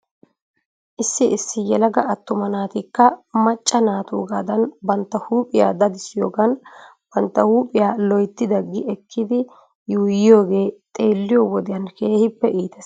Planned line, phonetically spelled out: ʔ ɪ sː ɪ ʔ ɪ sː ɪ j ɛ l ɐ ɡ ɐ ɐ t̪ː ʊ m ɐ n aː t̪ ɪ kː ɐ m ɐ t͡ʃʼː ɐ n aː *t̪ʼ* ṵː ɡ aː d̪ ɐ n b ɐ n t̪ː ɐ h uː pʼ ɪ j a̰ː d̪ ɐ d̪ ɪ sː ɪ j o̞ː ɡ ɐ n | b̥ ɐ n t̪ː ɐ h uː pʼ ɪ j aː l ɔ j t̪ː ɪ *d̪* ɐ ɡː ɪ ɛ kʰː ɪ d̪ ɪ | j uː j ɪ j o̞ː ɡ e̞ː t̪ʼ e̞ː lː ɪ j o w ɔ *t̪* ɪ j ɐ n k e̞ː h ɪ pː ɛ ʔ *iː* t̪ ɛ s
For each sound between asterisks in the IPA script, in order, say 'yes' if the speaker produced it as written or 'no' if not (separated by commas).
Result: no, yes, no, yes